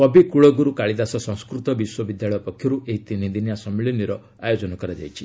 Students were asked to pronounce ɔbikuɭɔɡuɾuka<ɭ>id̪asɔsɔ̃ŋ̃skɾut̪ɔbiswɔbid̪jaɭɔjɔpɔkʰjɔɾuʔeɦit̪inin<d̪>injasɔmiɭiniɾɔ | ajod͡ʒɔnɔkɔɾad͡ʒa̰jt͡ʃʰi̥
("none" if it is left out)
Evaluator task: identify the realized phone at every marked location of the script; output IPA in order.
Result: ɭ, d̪

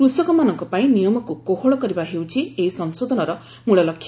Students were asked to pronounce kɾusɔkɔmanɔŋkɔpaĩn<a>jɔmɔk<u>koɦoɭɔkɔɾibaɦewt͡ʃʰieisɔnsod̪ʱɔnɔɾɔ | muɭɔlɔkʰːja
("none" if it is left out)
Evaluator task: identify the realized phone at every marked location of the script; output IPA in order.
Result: i, u

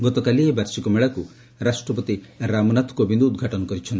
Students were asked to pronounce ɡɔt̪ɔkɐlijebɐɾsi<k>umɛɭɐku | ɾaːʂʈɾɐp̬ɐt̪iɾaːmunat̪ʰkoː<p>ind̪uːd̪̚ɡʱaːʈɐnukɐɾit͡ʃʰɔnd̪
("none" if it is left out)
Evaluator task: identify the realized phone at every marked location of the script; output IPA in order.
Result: k, b

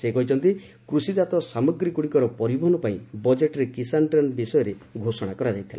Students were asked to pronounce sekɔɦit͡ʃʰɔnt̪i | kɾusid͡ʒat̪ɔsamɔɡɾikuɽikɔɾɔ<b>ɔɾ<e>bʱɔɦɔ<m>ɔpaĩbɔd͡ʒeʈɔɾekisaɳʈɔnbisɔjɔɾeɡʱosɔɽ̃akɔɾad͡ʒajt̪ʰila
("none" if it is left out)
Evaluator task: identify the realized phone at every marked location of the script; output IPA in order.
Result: p, i, n

